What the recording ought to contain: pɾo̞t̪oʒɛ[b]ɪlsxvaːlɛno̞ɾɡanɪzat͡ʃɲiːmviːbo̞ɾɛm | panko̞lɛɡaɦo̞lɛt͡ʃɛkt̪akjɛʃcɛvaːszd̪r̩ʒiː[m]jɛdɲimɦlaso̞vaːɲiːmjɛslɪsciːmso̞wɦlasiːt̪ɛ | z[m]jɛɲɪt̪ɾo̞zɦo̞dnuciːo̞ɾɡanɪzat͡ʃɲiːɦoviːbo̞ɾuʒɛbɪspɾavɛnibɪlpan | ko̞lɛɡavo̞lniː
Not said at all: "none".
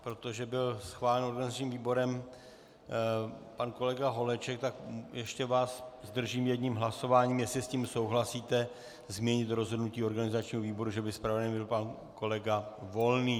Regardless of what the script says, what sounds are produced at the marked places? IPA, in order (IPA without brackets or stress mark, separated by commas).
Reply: b, m, m